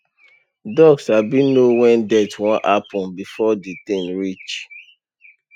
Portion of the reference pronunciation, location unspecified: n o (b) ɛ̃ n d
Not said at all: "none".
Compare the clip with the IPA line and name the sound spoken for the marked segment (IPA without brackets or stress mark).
w